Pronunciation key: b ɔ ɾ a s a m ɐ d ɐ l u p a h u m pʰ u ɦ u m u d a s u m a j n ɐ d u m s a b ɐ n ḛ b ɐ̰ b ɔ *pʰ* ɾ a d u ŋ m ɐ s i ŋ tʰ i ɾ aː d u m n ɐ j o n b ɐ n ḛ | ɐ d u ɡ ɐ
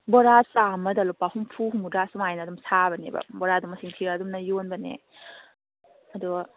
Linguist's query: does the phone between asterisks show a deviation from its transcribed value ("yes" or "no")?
yes